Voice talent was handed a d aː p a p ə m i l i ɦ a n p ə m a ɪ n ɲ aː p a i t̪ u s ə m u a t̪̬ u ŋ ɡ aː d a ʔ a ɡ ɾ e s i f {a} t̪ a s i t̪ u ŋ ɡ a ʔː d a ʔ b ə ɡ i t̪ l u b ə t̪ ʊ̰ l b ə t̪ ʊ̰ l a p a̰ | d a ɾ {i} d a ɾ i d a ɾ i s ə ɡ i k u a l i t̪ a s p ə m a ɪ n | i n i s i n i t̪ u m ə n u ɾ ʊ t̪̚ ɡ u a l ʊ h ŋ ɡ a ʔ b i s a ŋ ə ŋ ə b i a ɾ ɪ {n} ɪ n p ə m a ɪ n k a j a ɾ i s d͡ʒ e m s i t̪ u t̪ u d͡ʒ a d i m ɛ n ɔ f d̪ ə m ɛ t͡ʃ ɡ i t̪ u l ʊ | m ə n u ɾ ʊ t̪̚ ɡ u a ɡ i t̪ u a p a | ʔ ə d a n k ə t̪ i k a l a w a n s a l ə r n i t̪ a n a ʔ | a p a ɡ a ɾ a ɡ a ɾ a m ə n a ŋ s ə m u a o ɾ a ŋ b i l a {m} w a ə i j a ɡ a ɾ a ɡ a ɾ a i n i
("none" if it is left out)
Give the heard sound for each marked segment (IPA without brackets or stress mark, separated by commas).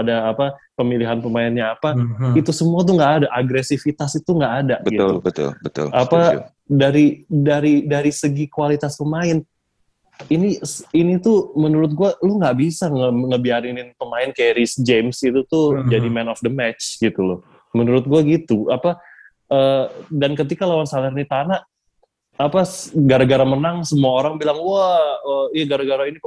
i, i, n, ŋ